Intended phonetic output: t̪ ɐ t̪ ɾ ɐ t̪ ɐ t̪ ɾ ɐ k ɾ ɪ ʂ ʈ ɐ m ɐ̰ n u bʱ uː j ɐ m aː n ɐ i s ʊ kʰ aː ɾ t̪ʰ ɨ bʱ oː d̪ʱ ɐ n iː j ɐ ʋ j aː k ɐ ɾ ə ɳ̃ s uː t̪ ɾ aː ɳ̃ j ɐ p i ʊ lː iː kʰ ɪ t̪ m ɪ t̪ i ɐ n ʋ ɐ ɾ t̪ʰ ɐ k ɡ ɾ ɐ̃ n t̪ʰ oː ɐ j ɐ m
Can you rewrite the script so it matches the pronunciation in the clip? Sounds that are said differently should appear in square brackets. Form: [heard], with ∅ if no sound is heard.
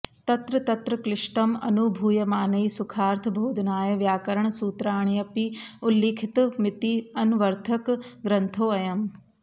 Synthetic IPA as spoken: t̪ ɐ t̪ ɾ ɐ t̪ ɐ t̪ ɾ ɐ k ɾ ɪ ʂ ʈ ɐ m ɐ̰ n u bʱ uː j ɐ m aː n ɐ i s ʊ kʰ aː ɾ t̪ʰ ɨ bʱ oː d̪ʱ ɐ n [aː] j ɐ ʋ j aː k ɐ ɾ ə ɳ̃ s uː t̪ ɾ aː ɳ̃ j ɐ p i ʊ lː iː kʰ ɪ t̪ m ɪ t̪ i ɐ n ʋ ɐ ɾ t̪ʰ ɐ k ɡ ɾ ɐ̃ n t̪ʰ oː ɐ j ɐ m